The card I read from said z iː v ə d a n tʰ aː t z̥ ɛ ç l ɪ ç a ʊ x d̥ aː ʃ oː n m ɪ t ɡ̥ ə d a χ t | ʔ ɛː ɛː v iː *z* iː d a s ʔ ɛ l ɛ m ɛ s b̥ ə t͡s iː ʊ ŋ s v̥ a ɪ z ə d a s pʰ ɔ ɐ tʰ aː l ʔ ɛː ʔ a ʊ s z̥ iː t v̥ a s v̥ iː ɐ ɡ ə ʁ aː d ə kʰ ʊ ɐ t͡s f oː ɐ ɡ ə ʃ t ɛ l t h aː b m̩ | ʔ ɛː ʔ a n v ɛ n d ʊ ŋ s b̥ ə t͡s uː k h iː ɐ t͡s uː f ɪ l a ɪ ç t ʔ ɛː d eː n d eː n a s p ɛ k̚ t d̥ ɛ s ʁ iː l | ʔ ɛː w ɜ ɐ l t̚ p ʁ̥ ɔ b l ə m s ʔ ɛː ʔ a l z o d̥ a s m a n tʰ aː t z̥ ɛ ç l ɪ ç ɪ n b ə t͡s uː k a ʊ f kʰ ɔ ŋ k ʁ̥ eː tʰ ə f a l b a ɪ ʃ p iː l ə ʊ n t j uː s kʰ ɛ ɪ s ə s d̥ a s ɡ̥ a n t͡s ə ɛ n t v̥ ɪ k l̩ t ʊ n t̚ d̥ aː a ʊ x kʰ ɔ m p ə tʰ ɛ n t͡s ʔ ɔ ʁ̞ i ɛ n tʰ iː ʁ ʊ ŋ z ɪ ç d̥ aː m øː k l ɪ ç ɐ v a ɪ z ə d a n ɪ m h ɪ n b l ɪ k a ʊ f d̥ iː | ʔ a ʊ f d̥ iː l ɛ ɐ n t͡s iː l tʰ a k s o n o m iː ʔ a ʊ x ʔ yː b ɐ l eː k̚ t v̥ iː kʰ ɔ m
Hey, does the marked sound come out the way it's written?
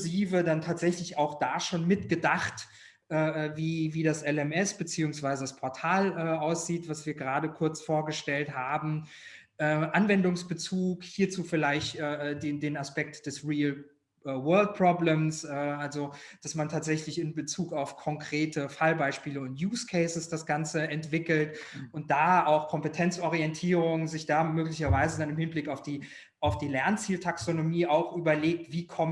no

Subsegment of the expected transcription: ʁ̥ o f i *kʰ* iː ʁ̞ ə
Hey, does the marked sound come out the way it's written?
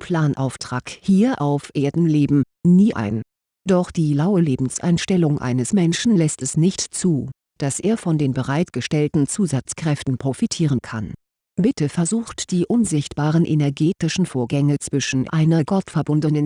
no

